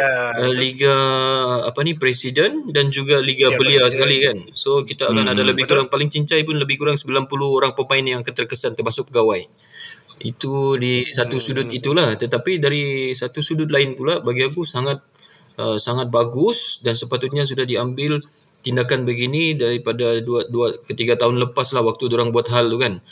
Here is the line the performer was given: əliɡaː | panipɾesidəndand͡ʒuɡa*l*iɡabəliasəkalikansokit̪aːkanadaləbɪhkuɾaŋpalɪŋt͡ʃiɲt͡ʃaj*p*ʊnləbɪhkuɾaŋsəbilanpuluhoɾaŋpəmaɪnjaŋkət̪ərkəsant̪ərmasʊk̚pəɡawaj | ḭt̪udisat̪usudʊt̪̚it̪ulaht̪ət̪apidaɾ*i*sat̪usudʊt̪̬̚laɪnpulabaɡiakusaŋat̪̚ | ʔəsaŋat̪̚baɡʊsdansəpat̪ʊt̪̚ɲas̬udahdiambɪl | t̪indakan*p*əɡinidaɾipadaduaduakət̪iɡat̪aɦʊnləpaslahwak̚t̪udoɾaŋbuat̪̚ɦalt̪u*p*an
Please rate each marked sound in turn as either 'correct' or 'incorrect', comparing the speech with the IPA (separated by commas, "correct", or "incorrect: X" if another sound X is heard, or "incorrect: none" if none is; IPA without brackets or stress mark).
correct, correct, correct, incorrect: b, incorrect: k